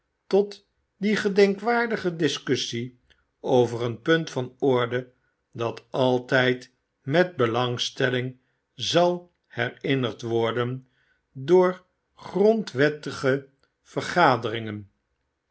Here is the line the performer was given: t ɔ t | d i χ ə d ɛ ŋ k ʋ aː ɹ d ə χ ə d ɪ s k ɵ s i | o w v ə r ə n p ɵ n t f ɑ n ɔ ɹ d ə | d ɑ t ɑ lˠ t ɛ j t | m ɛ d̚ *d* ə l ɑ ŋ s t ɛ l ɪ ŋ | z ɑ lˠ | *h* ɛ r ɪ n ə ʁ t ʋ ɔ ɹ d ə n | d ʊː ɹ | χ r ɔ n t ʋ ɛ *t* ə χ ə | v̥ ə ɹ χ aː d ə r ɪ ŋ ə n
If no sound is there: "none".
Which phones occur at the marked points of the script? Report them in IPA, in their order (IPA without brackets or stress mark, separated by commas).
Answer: b, h, t